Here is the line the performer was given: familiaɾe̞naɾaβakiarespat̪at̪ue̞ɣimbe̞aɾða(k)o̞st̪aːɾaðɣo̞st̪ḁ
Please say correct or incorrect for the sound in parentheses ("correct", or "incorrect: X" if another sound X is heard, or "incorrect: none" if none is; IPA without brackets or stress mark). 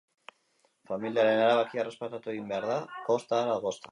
correct